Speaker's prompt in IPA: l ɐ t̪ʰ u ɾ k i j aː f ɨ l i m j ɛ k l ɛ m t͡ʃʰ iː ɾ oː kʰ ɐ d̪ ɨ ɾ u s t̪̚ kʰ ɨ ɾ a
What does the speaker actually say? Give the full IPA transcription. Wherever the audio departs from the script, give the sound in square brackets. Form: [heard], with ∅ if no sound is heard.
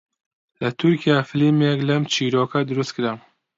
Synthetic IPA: l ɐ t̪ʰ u ɾ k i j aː f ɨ l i m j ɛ k l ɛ m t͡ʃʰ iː ɾ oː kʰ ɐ d̪ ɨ ɾ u s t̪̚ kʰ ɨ ɾ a